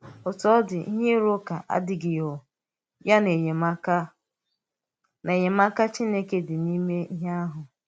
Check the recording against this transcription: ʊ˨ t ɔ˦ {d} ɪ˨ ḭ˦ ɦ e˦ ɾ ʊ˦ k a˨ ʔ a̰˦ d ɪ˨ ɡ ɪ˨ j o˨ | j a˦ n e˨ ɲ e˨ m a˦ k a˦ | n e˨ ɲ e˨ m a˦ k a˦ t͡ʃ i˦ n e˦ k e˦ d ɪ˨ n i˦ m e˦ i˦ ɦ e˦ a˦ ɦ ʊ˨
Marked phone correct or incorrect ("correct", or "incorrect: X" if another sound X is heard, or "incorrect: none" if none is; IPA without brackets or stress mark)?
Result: correct